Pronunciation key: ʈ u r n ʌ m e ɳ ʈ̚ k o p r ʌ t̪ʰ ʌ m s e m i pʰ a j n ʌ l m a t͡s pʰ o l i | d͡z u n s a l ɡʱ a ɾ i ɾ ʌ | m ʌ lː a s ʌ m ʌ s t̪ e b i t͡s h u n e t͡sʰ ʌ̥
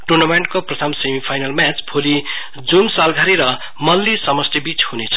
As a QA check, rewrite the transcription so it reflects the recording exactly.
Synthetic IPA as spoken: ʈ u r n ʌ m e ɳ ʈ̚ k o p r ʌ t̪ʰ ʌ m s e m i pʰ a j n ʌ l m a t͡s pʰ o l i | d͡z u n s a l ɡʱ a ɾ i ɾ ʌ | m ʌ lː i s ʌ m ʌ s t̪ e b i t͡s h u n e t͡sʰ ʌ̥